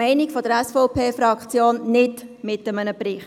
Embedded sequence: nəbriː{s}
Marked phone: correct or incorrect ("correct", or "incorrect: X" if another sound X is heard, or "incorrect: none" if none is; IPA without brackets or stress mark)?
incorrect: χ